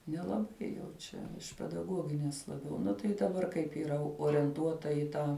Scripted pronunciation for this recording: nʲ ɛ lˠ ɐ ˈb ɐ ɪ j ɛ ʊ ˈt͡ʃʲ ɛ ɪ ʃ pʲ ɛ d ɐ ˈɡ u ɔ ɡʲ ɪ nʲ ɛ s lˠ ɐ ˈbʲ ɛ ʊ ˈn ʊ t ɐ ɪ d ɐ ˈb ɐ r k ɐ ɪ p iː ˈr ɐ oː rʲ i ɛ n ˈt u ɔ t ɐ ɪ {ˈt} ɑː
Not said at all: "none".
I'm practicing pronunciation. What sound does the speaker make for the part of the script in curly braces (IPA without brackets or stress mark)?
t